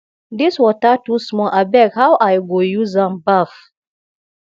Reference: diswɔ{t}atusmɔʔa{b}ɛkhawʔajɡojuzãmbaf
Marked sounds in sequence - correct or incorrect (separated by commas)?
correct, correct